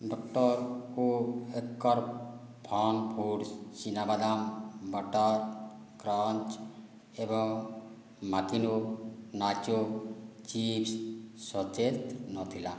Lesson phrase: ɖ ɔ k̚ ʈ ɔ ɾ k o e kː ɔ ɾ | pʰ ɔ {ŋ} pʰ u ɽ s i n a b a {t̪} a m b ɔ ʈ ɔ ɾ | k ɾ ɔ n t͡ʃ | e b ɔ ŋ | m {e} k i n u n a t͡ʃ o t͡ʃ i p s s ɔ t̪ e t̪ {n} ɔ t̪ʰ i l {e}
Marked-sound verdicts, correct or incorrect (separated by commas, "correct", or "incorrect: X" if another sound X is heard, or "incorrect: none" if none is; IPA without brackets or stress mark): incorrect: n, incorrect: d̪, incorrect: a, correct, incorrect: a